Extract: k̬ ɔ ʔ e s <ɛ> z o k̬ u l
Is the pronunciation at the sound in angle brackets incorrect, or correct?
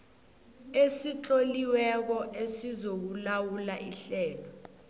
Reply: incorrect